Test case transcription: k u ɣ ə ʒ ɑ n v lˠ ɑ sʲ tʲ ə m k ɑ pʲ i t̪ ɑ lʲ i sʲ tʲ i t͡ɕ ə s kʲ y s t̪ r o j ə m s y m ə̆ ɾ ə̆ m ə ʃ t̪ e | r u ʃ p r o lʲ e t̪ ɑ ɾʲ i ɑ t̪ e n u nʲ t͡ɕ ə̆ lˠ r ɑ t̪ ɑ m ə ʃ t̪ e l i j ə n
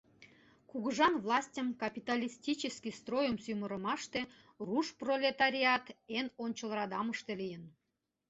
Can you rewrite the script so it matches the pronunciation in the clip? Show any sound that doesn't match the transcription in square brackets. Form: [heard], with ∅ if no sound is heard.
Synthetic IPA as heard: k u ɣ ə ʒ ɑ n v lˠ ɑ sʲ tʲ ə m k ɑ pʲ i t̪ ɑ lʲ i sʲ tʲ i t͡ɕ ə s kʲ [i] s t̪ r o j ə m s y m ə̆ ɾ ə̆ m [ɑ] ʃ t̪ e | r u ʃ p r o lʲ e t̪ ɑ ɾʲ i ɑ t̪ e n [o] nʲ t͡ɕ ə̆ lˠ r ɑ [d̪] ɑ m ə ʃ t̪ e l i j ə n